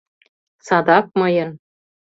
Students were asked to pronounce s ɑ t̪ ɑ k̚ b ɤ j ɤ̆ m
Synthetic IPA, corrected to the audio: s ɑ d̪ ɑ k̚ m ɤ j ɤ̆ n